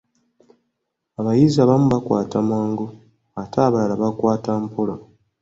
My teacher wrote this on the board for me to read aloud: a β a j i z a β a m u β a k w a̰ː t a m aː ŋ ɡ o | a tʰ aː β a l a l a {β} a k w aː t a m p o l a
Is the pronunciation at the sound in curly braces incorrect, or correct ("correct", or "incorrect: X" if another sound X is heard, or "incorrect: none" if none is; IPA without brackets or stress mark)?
correct